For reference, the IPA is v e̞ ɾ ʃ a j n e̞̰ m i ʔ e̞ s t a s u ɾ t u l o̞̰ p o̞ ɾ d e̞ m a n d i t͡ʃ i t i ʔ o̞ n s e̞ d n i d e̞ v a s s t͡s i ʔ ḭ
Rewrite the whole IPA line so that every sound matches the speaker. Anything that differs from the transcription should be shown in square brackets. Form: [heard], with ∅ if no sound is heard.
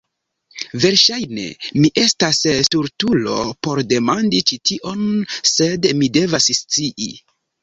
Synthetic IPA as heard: v e̞ ɾ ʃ a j n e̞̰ m i ʔ e̞ s t a s u ɾ t u l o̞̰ p o̞ ɾ d e̞ m a n d i t͡ʃ i t i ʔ o̞ n s e̞ d [m] i d e̞ v a s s t͡s i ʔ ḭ